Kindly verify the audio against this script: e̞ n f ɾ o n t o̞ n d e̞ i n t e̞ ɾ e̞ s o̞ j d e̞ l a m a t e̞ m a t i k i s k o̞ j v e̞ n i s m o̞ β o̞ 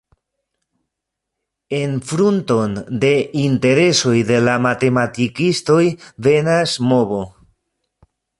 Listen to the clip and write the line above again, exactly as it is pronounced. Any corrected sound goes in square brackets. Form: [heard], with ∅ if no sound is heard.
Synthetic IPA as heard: e̞ n f ɾ [u] n t o̞ n d e̞ i n t e̞ ɾ e̞ s o̞ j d e̞ l a m a t e̞ m a t i k i s [t] o̞ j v e̞ n [a] s m o̞ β o̞